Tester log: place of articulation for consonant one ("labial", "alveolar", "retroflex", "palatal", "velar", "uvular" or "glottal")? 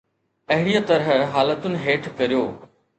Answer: glottal